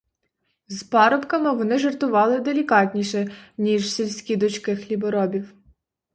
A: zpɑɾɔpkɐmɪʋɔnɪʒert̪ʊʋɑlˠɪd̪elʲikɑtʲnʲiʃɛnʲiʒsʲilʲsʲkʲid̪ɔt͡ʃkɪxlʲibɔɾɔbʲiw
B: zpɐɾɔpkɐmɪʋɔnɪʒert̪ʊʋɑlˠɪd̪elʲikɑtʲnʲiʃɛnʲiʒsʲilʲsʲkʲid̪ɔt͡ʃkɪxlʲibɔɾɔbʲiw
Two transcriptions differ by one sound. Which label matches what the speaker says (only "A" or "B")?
A